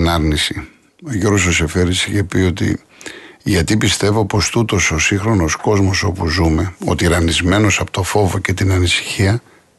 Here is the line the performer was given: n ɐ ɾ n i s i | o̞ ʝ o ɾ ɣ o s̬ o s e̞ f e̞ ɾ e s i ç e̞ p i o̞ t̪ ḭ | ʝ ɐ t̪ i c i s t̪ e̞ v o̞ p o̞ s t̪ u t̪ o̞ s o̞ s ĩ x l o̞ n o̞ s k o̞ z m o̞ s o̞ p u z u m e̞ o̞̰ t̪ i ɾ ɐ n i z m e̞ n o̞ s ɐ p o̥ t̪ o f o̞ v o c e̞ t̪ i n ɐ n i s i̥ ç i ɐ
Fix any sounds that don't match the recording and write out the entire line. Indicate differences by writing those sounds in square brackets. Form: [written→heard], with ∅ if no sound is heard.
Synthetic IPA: n ɐ ɾ n i s i | o̞ ʝ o ɾ ɣ o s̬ o s e̞ f e̞ ɾ [e→i] s i ç e̞ p i o̞ t̪ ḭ | ʝ ɐ t̪ i [c→p] i s t̪ e̞ v o̞ p o̞ s t̪ u t̪ o̞ s o̞ s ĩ x [l→ɾ] o̞ n o̞ s k o̞ z m o̞ s o̞ p u z u m e̞ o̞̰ t̪ i ɾ ɐ n i z m e̞ n o̞ s ɐ p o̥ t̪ o f o̞ v o c e̞ t̪ i n ɐ n i s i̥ ç i ɐ